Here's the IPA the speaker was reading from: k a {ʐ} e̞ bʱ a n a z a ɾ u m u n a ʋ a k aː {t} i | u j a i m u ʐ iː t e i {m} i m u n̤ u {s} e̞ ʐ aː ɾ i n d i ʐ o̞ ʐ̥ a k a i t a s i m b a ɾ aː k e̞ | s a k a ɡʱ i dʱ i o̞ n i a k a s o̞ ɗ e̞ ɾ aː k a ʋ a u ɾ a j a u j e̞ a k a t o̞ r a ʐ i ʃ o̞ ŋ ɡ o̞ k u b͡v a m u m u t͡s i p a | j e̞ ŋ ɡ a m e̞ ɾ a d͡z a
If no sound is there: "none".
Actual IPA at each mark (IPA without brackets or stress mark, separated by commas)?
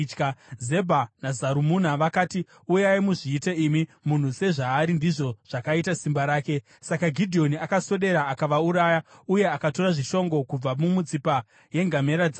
z, t, m, s